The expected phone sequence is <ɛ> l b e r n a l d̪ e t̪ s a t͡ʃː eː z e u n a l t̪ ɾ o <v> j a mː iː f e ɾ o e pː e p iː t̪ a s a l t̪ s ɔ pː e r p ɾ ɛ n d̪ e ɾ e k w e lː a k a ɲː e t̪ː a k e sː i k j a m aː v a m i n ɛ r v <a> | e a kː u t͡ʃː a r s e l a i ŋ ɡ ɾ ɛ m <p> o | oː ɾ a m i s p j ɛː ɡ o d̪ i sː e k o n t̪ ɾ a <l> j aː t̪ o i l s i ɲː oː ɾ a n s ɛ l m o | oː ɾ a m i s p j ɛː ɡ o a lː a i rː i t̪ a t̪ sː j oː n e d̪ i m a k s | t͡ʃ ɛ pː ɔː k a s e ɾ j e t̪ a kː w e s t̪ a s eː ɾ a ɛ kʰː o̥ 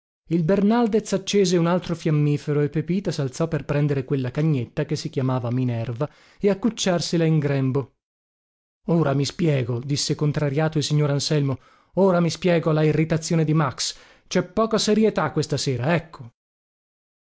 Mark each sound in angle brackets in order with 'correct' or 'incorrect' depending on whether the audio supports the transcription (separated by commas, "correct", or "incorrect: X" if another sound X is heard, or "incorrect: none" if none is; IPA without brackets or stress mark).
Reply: incorrect: i, incorrect: f, correct, incorrect: b, incorrect: ɾ